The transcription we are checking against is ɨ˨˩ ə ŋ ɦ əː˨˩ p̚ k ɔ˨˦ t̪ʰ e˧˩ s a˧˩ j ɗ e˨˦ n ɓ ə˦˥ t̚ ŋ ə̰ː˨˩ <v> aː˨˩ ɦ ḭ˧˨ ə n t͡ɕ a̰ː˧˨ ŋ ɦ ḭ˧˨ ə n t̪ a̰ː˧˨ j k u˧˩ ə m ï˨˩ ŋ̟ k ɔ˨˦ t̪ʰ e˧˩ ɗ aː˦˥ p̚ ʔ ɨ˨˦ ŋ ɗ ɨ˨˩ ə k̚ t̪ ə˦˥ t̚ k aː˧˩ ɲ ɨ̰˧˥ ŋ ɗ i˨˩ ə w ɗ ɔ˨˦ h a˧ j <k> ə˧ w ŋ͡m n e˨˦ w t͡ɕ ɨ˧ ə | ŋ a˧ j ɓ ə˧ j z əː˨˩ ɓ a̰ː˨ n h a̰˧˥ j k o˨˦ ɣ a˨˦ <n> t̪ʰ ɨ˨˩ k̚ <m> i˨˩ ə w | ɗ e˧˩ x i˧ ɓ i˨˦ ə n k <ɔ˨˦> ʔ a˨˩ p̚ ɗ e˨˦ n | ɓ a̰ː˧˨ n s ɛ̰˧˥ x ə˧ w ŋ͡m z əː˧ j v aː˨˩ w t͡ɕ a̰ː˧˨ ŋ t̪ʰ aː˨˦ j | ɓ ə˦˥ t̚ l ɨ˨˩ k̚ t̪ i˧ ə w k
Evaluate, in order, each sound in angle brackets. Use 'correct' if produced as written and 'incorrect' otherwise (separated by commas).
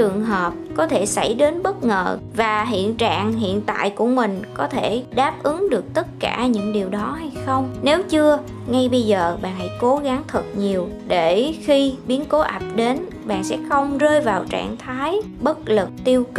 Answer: correct, incorrect, incorrect, incorrect, incorrect